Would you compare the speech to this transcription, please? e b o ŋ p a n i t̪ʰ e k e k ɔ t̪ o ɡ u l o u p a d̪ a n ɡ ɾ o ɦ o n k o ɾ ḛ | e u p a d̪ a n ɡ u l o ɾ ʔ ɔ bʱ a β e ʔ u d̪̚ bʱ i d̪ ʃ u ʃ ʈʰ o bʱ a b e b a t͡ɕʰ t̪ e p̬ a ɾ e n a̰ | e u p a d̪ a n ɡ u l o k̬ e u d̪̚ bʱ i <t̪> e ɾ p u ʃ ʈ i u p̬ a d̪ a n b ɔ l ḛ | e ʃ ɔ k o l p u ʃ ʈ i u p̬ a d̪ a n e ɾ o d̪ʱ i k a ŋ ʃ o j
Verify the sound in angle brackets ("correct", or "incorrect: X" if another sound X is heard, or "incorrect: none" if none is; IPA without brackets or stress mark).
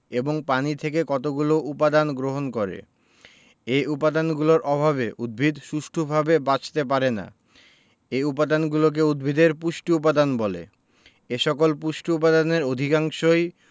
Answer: incorrect: d̪